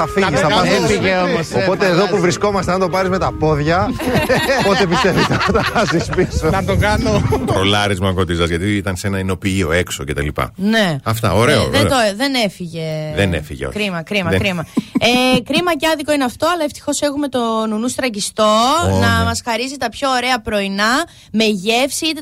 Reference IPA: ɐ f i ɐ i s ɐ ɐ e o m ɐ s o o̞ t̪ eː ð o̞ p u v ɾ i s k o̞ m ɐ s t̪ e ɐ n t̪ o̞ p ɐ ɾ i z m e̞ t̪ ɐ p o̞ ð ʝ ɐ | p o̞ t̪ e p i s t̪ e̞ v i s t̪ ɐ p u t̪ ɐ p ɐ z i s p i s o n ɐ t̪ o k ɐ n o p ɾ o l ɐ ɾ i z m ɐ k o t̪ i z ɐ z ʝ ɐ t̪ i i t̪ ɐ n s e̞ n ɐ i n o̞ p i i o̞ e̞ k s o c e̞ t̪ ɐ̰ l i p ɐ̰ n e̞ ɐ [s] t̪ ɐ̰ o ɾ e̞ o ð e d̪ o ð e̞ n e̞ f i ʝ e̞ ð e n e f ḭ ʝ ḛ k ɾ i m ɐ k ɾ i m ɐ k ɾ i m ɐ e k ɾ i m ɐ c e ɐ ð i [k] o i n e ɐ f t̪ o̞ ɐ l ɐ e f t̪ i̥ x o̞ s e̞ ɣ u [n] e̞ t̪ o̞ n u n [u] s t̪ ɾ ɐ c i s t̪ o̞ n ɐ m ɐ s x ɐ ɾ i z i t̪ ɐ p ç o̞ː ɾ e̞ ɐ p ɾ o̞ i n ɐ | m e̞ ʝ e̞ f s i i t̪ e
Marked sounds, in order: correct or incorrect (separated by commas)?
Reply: incorrect, correct, incorrect, correct